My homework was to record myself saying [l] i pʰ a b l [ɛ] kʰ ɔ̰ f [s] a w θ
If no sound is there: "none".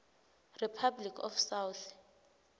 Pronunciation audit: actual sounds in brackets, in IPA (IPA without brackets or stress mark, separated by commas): r, i, s